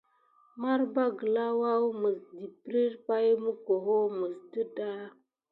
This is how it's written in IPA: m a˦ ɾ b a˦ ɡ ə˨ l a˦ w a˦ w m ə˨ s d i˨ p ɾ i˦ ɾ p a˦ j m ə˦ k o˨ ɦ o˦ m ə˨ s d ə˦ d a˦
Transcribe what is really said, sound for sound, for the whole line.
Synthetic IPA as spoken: m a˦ ɾ b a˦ ɡ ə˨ l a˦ w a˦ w m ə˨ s d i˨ p ɾ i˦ ɾ p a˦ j m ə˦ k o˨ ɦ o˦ m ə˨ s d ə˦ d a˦

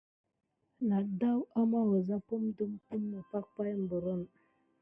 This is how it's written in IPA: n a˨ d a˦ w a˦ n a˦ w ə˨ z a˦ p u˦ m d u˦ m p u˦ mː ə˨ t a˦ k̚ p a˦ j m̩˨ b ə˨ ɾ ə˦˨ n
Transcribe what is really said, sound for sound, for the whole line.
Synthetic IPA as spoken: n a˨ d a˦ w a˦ m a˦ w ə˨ z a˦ p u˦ m d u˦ m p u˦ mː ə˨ p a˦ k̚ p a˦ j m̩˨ b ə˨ ɾ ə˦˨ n

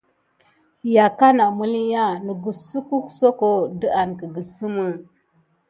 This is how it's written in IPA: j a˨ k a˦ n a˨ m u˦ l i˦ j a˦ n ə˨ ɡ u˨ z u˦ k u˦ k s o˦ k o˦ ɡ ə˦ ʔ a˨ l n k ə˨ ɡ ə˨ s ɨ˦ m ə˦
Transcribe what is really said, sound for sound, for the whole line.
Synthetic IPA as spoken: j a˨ k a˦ n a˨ m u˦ l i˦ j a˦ n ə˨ ɡ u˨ s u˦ k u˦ k s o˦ k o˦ d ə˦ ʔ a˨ n k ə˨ ɡ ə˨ s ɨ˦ m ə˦

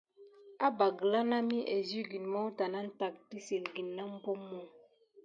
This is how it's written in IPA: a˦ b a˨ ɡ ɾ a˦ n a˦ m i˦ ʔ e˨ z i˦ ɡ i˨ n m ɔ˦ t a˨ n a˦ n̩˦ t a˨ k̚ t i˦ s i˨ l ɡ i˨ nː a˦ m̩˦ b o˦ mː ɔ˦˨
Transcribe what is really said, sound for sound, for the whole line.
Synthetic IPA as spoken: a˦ b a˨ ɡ l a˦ n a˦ m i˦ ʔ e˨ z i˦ ɡ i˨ n m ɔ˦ t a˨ n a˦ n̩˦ t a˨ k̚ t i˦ s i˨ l ɡ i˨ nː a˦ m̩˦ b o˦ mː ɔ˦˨

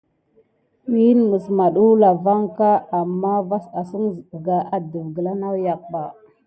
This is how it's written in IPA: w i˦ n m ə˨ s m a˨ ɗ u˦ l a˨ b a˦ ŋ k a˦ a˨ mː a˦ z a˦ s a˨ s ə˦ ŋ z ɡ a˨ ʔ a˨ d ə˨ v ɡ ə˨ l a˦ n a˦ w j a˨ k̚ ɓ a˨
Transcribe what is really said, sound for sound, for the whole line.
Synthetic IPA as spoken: w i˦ n m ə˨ s m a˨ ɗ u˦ l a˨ v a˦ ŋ k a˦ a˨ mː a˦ v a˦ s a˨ s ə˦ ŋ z ɡ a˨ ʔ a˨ d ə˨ v ɡ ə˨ l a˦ n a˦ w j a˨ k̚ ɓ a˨

